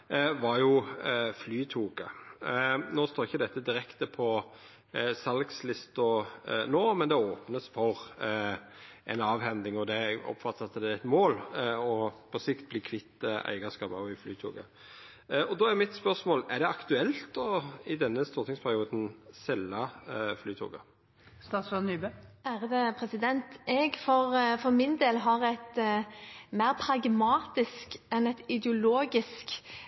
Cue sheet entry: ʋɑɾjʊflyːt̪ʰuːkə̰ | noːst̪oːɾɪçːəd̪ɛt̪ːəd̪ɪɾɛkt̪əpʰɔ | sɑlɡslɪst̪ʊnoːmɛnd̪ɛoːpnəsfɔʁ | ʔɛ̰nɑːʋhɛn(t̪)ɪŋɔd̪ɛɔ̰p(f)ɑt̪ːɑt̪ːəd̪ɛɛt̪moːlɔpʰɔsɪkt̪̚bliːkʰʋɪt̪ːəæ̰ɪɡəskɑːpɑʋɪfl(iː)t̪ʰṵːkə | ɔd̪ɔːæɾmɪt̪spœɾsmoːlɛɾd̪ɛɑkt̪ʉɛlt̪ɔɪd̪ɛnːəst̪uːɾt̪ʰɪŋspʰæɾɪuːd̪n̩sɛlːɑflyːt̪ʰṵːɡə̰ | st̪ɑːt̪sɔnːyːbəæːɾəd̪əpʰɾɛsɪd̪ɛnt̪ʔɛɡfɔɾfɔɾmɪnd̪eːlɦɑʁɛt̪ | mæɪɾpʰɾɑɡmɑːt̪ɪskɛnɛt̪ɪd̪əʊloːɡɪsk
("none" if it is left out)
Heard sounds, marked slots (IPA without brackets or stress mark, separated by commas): d̪, f, yː